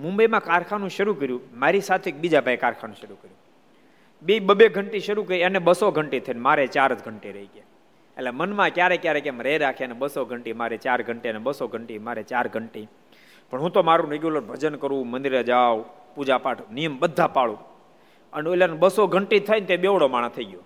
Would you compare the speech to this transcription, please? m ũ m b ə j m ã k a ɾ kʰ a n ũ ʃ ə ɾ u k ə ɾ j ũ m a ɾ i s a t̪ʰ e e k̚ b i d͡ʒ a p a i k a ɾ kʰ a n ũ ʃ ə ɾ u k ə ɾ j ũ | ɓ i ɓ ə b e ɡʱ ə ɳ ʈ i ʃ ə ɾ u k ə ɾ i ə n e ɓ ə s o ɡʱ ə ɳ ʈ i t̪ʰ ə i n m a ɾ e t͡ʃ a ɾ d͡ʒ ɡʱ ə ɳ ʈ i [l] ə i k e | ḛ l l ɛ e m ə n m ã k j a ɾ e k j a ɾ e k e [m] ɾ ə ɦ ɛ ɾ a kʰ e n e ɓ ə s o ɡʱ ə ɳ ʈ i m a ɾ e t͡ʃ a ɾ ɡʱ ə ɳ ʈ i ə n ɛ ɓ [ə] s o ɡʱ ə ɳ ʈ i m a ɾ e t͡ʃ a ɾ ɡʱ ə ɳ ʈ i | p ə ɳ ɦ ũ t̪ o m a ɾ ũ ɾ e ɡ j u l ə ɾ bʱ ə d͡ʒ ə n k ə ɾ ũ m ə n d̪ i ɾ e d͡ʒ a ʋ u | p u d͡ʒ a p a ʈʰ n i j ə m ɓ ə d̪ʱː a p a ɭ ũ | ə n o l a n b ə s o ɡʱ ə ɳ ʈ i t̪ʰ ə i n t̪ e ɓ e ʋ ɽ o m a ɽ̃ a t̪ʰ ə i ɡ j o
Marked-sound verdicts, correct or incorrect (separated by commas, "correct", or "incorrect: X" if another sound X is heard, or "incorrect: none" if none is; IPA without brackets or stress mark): incorrect: ɾ, correct, correct